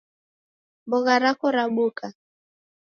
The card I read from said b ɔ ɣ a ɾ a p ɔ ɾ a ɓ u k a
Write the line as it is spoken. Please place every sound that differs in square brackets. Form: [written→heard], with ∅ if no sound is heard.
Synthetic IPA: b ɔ ɣ a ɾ a [p→k] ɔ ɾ a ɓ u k a